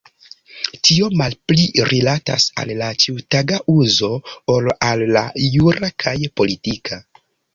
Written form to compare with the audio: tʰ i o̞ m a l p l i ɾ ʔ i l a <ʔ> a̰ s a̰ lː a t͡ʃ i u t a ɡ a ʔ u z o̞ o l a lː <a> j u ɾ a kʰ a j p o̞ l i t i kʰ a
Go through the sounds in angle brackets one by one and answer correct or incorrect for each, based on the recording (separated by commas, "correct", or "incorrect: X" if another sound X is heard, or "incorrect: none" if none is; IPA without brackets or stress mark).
incorrect: t, correct